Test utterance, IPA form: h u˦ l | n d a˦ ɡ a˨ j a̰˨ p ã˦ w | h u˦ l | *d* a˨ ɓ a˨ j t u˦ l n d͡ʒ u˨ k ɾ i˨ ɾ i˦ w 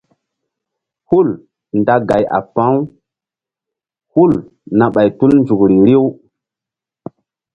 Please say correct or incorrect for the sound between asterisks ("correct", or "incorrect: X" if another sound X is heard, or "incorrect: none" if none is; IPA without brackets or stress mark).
incorrect: n